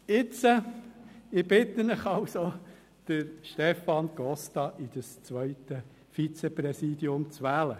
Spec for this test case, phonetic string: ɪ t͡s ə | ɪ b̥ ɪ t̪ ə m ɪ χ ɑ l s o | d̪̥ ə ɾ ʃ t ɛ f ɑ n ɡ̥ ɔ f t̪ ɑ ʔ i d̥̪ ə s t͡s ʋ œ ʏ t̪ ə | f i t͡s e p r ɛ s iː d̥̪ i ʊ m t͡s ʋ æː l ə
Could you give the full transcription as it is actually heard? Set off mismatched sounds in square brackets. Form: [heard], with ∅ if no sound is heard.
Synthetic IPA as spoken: ɪ t͡s ə | ɪ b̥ ɪ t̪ ə [n] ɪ χ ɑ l s o | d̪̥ ə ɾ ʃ t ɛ f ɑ n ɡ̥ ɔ [s] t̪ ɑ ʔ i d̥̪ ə s t͡s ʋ œ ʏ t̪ ə | f i t͡s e p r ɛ s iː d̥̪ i ʊ m t͡s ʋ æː l ə